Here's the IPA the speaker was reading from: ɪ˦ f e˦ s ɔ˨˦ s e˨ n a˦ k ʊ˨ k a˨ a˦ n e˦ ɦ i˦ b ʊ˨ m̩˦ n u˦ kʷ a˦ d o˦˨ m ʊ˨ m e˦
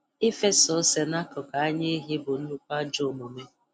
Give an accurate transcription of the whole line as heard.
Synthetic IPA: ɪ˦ f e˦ s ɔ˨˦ s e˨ n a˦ k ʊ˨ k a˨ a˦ ɲ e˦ ɦ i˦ b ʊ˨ n̩˦ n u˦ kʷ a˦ d͡ʒ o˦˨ m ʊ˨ m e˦